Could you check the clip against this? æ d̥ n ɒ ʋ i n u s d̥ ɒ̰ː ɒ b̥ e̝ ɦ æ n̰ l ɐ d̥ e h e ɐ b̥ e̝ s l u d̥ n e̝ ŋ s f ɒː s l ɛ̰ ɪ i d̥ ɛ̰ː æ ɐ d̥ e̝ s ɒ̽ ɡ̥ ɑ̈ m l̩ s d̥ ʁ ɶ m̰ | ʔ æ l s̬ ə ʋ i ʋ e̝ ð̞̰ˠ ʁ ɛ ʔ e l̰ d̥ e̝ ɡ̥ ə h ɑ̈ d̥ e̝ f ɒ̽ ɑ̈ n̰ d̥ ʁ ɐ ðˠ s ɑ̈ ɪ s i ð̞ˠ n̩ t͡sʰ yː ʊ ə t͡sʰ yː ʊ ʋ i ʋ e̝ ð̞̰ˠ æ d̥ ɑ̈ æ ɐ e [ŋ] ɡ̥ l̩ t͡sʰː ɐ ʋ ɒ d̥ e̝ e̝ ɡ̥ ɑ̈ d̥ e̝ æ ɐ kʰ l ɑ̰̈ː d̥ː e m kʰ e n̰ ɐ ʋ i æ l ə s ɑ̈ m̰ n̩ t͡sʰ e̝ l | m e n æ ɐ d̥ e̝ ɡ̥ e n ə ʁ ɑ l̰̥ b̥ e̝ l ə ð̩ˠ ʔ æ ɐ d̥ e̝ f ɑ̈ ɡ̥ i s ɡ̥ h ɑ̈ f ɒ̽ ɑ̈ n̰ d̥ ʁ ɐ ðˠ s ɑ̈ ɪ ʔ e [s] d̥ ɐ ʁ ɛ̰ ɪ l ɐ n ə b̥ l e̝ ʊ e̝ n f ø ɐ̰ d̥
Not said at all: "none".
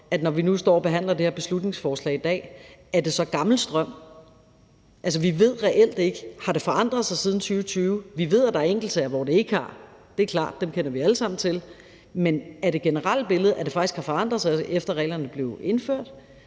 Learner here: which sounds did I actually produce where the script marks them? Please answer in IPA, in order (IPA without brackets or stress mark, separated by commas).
ŋ, f